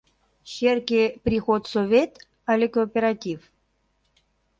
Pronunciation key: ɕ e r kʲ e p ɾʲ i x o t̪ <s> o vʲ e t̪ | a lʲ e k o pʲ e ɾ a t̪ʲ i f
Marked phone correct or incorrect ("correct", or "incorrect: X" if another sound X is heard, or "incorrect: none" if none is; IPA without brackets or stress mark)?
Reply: correct